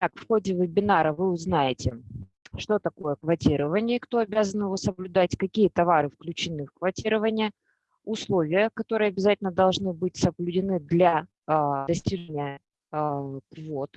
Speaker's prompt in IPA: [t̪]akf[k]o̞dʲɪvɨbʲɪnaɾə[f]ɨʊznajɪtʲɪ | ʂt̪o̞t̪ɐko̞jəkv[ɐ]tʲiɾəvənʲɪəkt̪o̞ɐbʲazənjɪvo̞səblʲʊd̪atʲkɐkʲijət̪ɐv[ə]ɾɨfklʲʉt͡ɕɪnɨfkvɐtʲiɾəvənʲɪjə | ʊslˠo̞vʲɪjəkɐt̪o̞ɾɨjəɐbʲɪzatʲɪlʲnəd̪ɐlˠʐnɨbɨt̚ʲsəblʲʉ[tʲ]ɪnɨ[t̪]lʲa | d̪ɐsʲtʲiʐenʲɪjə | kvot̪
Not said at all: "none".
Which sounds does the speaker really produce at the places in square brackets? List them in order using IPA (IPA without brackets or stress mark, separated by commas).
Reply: t̪, x, v, ɐ, a, dʲ, d̪